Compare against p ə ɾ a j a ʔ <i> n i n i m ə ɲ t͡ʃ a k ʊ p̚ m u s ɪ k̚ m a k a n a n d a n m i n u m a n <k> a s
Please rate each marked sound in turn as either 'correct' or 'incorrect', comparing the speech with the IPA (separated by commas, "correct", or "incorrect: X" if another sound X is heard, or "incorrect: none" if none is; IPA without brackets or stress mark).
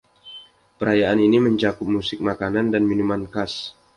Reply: incorrect: a, correct